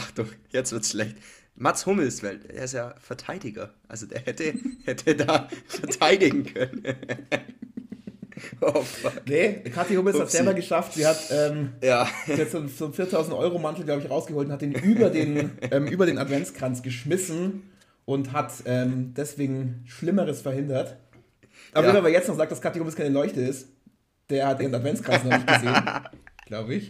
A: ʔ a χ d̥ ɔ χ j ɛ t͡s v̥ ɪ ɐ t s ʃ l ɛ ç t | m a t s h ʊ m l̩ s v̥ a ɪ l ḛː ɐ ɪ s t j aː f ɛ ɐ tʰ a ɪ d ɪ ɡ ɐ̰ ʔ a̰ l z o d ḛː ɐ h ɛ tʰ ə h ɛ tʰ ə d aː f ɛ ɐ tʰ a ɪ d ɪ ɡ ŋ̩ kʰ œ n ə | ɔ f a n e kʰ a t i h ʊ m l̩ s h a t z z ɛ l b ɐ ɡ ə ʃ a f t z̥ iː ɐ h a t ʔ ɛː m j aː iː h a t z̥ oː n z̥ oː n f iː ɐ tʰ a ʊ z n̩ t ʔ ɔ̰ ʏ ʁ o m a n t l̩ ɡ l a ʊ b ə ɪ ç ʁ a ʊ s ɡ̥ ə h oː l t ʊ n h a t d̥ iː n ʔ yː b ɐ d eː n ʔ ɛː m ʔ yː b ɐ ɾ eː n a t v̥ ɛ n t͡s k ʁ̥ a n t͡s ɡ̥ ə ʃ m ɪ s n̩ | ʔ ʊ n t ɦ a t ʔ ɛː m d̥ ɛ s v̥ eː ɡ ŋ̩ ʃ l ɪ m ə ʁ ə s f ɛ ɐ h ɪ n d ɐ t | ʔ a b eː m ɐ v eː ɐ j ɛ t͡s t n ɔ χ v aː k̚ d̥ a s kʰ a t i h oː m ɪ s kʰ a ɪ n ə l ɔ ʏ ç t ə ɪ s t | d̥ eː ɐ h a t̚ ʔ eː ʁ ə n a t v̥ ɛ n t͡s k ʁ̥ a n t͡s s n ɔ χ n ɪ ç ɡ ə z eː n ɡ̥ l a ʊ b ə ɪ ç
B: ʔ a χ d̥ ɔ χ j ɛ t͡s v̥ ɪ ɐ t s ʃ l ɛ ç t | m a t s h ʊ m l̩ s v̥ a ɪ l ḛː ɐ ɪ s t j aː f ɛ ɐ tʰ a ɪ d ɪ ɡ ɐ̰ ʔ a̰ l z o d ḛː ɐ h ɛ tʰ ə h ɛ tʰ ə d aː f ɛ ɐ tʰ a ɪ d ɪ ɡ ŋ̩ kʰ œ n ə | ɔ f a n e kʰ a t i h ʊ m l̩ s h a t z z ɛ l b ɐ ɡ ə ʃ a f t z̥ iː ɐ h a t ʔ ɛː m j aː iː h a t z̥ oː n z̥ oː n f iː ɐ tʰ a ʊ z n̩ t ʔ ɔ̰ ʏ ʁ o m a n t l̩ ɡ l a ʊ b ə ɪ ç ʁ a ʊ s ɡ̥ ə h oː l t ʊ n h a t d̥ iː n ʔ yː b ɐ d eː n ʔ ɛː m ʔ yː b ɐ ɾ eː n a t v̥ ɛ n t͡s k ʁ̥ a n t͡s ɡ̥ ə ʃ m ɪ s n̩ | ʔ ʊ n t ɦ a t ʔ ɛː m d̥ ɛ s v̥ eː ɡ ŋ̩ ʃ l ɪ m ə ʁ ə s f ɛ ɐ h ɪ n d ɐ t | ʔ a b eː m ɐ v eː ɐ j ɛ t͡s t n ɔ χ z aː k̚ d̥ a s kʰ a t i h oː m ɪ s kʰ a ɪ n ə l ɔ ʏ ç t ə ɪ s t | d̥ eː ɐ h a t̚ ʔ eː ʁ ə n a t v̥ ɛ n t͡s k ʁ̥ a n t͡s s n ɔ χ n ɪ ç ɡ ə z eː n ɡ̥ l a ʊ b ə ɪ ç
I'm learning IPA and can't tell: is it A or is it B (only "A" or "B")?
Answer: B